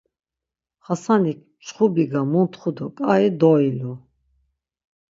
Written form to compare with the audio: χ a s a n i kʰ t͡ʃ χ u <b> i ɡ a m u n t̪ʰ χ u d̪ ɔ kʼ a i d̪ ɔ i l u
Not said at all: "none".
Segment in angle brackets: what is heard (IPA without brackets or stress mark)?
b